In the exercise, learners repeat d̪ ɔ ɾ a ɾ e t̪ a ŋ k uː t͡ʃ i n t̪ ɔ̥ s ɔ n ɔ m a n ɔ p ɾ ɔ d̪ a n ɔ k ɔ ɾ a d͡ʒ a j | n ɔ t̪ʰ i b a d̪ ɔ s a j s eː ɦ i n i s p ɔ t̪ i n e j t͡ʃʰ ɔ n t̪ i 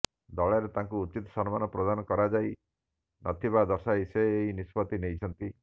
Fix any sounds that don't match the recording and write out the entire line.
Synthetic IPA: d̪ ɔ ɭ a ɾ e t̪ a ŋ k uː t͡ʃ i t̪ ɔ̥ s ɔ n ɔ m a n ɔ p ɾ ɔ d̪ a n ɔ k ɔ ɾ a d͡ʒ a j | n ɔ t̪ʰ i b a d̪ ɔ s a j s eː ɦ i n i s p ɔ t̪ i n e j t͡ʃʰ ɔ n t̪ i